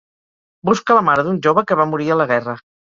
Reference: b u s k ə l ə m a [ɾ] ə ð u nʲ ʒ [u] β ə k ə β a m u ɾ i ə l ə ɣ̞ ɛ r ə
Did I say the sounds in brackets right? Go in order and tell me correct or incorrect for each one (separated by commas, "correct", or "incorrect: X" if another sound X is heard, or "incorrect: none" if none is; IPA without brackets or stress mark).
correct, incorrect: o